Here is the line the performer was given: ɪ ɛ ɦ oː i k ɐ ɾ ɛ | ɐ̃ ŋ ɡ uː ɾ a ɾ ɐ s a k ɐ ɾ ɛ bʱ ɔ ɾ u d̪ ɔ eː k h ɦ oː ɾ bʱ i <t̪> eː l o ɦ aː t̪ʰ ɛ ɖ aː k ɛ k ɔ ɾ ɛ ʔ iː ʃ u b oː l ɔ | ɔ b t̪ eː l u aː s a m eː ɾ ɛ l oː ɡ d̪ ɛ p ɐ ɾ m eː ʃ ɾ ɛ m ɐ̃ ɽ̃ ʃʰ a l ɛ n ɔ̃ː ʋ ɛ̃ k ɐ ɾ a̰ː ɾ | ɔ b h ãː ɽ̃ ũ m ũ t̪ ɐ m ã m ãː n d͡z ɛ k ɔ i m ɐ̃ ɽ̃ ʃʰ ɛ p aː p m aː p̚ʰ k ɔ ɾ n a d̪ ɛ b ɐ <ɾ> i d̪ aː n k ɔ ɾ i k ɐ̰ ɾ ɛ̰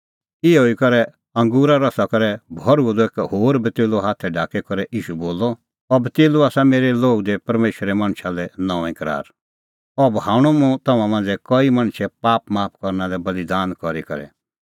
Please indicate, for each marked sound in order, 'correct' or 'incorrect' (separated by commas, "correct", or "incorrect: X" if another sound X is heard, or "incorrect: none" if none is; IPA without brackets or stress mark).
correct, incorrect: l